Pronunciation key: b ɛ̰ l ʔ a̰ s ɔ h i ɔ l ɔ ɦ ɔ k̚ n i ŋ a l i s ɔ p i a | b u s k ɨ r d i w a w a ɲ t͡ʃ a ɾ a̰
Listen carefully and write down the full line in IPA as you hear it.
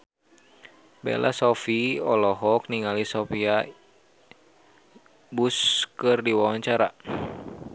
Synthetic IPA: b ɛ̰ l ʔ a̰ s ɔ f i ɔ l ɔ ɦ ɔ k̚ n i ŋ a l i s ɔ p i a | b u s k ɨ r d i w a w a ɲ t͡ʃ a ɾ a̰